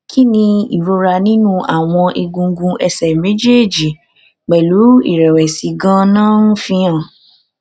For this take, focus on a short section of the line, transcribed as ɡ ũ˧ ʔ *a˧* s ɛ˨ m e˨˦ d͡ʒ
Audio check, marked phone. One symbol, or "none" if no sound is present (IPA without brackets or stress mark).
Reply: ɛ˧